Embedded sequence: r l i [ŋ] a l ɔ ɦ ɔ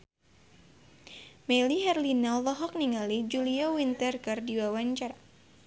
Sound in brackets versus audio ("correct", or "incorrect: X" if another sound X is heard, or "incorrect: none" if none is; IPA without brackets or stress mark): incorrect: n